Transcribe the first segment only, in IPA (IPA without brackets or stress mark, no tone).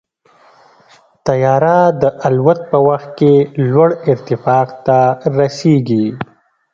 t̪